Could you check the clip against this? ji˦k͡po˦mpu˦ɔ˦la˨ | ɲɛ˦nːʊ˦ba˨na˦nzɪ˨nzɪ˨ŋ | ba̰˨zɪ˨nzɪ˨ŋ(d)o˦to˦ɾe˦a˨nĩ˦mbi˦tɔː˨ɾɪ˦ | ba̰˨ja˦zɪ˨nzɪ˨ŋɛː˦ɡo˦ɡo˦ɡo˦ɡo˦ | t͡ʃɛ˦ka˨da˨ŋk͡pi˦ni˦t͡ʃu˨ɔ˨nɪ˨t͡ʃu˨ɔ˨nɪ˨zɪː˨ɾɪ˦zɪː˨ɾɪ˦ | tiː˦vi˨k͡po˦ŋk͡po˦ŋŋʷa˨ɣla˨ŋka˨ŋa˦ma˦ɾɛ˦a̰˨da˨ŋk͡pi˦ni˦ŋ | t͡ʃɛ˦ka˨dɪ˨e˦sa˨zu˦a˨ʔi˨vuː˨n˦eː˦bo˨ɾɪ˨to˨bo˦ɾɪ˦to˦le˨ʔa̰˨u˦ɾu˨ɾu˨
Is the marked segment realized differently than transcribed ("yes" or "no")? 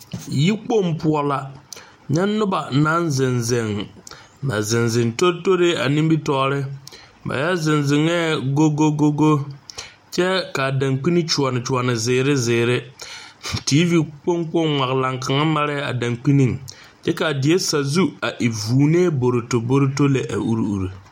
yes